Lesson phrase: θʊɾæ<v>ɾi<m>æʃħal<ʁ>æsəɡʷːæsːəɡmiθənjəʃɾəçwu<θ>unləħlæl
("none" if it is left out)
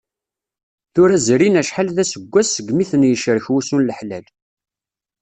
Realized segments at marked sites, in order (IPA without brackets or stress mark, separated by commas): z, n, ð, s